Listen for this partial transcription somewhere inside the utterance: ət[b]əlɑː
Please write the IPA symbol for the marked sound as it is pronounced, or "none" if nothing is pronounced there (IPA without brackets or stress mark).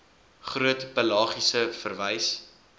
p